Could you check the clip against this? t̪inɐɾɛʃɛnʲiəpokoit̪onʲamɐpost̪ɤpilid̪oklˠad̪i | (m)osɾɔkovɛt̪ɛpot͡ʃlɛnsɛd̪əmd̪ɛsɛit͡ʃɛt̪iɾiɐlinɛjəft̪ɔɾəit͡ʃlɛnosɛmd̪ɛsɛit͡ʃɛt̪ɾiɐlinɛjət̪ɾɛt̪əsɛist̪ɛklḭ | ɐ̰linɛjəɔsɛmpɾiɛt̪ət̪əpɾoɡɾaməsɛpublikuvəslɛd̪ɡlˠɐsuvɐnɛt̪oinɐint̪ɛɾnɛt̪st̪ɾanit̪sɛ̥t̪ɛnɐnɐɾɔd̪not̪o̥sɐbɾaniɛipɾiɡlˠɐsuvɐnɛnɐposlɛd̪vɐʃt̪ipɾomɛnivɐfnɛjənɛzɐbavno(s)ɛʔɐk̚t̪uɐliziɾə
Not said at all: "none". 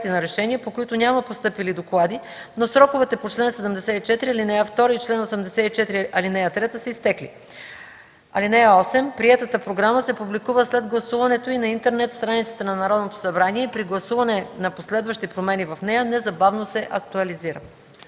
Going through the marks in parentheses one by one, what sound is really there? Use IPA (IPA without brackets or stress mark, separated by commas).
n, s